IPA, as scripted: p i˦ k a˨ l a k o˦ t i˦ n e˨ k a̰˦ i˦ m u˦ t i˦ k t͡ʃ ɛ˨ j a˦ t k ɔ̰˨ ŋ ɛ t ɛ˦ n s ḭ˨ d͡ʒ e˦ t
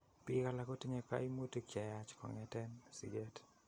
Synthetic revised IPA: p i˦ k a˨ l a k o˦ t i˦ ɲ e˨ k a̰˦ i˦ m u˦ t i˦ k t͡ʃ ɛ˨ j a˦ t͡ʃ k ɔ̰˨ ŋ ɛ t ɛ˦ n s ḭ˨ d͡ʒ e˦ t